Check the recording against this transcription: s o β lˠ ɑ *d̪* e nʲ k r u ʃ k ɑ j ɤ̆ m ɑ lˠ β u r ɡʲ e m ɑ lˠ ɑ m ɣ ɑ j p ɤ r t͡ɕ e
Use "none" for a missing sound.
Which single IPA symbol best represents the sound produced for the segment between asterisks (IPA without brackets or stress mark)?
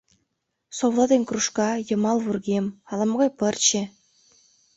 d̪